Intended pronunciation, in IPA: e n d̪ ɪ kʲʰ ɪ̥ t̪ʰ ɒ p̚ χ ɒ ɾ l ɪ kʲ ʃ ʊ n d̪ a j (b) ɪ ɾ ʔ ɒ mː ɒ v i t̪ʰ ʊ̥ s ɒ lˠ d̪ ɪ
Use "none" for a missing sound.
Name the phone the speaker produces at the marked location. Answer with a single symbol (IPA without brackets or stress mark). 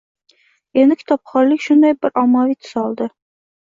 b